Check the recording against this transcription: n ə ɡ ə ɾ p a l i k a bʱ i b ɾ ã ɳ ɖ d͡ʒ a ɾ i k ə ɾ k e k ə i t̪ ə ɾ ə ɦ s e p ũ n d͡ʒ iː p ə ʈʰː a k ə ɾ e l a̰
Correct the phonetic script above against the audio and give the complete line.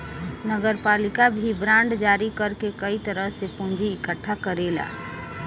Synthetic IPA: n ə ɡ ə ɾ p a l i k a bʱ i b ɾ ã ɳ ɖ d͡ʒ a ɾ i k ə ɾ k e k ə i t̪ ə ɾ ə ɦ s e p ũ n d͡ʒ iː k ə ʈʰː a k ə ɾ e l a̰